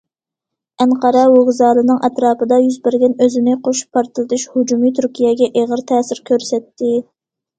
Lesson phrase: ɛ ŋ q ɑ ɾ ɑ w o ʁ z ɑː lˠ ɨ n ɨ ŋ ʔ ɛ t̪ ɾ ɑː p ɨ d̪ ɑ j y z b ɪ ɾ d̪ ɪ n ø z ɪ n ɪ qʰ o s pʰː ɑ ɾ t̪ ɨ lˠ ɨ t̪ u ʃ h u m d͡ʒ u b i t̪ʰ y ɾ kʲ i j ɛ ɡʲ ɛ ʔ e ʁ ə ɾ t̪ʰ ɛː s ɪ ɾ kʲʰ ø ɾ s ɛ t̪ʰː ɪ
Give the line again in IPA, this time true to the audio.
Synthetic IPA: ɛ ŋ q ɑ ɾ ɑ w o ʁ z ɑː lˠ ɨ n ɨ ŋ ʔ ɛ t̪ ɾ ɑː p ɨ d̪ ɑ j y z b ɪ ɾ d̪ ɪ n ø z ɪ n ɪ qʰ o ʃ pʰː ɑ ɾ t̪ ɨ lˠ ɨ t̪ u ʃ h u d͡ʒ u m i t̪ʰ y ɾ kʲ i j ɛ ɡʲ ɛ ʔ e ʁ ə ɾ t̪ʰ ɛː s ɪ ɾ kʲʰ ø ɾ s ɛ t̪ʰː ɪ